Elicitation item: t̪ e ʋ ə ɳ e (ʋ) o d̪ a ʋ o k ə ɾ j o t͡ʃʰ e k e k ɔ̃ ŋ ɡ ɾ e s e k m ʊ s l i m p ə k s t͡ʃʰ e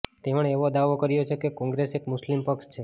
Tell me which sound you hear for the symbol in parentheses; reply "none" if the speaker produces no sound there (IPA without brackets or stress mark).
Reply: ʋ